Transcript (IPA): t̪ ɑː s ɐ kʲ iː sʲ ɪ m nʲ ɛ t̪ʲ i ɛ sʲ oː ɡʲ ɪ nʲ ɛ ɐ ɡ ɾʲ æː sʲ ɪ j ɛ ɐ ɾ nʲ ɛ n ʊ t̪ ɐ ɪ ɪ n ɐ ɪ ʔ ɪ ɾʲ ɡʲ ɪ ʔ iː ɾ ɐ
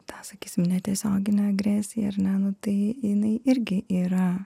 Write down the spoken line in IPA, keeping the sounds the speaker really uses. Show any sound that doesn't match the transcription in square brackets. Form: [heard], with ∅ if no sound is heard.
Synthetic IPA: t̪ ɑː s ɐ kʲ iː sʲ ɪ m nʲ ɛ t̪ʲ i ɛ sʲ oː ɡʲ ɪ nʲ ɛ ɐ ɡ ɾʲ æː sʲ ɪ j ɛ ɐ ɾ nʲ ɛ n ʊ t̪ ɐ ɪ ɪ n ɐ ɪ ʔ ɪ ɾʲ ɡʲ ɪ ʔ iː ɾ ɐ